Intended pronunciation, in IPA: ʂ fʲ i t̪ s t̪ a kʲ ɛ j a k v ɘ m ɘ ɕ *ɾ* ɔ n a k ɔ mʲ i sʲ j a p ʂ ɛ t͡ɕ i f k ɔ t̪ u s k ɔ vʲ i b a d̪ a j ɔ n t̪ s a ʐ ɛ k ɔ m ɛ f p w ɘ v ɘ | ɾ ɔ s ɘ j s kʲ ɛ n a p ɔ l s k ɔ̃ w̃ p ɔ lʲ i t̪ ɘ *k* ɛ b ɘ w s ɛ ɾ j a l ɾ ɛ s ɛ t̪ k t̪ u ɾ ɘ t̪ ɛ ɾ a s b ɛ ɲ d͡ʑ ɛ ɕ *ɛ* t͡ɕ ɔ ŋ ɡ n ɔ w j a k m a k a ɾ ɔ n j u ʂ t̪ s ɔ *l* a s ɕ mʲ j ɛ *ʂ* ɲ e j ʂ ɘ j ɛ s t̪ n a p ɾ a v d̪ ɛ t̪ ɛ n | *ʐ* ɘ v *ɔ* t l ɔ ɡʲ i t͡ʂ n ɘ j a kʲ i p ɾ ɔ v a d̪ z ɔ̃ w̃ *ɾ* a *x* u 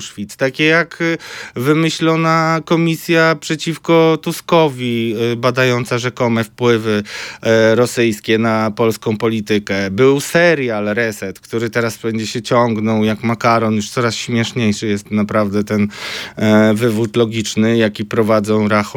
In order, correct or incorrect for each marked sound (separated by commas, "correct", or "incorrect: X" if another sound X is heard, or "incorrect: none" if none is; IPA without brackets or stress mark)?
incorrect: l, correct, correct, incorrect: ɾ, correct, incorrect: v, incorrect: u, correct, correct